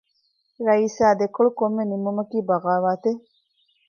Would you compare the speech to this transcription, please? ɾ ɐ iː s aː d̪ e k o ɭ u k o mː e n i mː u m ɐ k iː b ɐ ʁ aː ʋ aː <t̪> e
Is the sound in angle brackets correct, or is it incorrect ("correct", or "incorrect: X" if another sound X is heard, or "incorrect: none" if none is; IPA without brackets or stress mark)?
correct